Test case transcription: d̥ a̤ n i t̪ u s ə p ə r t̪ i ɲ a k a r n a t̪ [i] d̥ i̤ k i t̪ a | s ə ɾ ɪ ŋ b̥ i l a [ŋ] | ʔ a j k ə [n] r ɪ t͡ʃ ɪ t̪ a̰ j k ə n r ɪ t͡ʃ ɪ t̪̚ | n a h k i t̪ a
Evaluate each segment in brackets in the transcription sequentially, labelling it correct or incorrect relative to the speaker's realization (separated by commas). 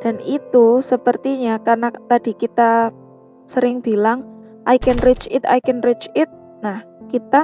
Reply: incorrect, correct, correct